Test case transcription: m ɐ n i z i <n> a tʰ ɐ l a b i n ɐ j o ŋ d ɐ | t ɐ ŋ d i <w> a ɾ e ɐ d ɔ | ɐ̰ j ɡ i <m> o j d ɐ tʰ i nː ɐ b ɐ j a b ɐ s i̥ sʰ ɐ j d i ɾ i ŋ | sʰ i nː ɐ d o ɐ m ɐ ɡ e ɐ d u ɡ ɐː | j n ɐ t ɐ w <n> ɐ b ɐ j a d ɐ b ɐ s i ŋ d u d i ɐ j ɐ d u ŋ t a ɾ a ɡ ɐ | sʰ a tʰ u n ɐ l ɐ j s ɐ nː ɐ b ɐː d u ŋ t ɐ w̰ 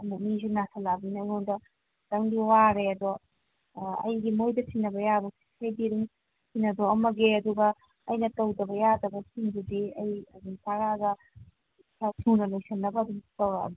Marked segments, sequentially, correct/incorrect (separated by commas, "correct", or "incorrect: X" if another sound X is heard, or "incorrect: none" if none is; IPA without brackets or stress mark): correct, correct, correct, incorrect: d